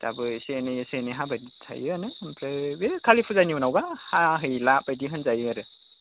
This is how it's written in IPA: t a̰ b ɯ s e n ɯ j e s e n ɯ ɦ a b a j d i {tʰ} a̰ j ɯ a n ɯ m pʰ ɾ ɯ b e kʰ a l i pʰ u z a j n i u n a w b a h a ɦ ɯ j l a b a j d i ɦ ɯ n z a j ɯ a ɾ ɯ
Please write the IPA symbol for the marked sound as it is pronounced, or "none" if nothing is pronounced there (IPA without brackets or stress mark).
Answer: tʰ